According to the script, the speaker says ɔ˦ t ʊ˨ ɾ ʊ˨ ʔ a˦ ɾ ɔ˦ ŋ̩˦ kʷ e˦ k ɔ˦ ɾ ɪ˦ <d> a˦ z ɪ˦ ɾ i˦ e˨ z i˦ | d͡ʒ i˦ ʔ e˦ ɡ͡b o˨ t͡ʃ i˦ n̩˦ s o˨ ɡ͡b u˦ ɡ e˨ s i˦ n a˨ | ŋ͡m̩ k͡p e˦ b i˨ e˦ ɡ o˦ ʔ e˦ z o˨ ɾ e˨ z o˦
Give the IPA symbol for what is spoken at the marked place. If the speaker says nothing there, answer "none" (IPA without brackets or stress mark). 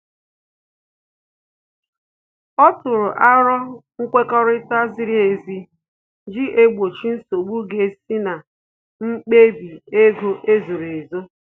t